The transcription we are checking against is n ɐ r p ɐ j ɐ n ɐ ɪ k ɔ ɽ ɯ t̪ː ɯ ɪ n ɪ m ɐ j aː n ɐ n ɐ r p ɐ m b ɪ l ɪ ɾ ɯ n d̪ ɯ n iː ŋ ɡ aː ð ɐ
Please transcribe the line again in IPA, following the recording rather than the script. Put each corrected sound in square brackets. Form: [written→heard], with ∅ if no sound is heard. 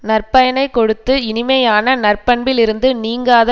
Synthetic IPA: n ɐ r p ɐ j ɐ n ɐ ɪ k ɔ ɽ ɯ t̪ː ɯ ɪ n ɪ m ɐ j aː n ɐ n ɐ r p ɐ [m→ɳ] b ɪ l ɪ ɾ ɯ n d̪ ɯ n iː ŋ ɡ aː ð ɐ